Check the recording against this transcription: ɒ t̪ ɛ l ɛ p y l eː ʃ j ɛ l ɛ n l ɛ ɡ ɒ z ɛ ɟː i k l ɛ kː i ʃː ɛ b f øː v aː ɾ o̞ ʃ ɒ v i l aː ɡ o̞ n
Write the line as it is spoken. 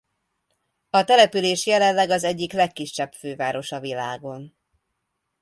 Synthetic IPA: ɒ t̪ ɛ l ɛ p y l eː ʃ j ɛ l ɛ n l ɛ ɡ ɒ z ɛ ɟː i k l ɛ kː i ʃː ɛ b f øː v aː ɾ o̞ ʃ ɒ v i l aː ɡ o̞ n